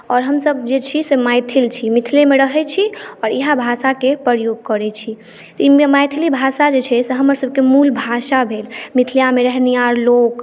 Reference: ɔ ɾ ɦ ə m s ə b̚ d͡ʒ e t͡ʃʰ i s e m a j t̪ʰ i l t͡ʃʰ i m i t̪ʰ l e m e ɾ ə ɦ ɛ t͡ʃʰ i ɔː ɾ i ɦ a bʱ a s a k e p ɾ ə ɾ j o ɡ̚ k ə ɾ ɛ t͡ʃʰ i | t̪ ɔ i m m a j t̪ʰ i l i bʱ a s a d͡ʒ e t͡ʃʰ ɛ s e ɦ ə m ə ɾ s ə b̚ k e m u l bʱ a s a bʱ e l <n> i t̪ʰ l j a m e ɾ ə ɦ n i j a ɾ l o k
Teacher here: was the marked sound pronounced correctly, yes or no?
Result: no